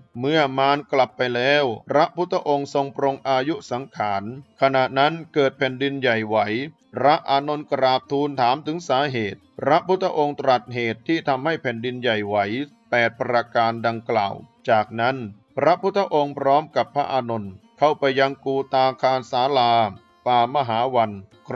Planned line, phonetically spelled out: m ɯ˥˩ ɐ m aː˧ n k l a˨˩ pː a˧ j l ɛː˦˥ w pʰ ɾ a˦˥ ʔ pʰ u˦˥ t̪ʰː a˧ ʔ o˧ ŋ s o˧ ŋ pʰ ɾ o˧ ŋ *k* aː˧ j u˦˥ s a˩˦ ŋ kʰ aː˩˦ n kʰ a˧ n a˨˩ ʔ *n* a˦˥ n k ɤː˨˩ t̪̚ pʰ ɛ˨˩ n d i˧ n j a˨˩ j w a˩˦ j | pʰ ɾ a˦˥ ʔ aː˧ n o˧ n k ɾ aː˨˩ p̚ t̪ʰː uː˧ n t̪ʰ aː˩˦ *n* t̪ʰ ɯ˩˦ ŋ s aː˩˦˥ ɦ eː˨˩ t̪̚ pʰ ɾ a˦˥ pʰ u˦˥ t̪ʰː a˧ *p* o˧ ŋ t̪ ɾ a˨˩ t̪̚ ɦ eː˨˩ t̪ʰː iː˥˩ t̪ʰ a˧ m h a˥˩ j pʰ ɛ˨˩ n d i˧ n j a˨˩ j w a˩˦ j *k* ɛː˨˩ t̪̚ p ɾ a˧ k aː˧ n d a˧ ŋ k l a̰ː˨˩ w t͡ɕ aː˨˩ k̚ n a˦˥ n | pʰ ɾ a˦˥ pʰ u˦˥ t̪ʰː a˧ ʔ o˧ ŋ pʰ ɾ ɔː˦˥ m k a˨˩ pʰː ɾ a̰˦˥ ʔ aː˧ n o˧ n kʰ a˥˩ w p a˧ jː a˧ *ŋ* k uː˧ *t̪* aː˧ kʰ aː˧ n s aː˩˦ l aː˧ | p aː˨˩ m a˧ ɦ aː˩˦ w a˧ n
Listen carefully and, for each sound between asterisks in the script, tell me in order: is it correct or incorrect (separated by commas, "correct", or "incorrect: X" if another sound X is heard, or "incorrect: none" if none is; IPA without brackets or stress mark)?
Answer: incorrect: ʔ, correct, incorrect: m, incorrect: ʔ, incorrect: p, correct, correct